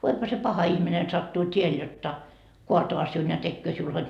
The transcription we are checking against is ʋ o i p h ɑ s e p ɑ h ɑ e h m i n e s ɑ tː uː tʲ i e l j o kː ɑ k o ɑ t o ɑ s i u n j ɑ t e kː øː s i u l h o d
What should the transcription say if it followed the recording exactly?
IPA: ʋ o i p h ɑ s e p ɑ h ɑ i h m i n e s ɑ tː uː tʲ i e l j o tː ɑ k o ɑ t o ɑ s i u n j ɑ t e kː øː s i u l h o d